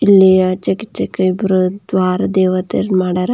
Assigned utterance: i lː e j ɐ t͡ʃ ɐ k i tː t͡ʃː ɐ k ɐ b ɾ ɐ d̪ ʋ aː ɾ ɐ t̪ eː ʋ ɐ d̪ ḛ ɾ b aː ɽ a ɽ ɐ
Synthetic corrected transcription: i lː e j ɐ t͡ʃ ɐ k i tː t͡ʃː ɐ k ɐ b ɾ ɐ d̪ ʋ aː ɾ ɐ d̪ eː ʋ ɐ t̪ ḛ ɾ m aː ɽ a ɾ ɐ